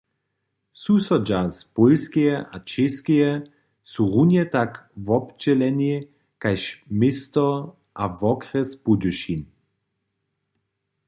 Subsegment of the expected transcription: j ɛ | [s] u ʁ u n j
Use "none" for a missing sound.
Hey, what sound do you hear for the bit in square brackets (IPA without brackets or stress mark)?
s